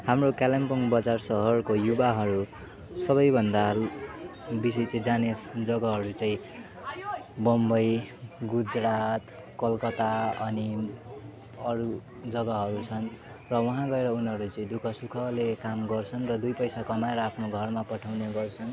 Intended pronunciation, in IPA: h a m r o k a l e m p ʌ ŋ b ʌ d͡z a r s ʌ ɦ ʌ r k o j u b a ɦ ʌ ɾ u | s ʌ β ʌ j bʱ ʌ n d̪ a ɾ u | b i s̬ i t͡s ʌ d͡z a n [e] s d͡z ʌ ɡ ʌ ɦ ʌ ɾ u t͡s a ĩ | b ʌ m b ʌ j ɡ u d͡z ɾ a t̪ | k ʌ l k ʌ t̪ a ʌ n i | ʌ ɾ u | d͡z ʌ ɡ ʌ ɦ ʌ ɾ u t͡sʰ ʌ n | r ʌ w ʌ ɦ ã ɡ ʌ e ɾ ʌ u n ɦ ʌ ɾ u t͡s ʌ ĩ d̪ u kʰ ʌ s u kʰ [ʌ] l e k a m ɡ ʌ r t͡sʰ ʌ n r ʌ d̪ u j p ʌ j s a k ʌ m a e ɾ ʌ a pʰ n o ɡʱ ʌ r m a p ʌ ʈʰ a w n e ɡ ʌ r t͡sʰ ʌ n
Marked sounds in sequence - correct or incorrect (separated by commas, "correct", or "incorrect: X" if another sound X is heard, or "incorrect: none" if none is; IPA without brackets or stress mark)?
correct, correct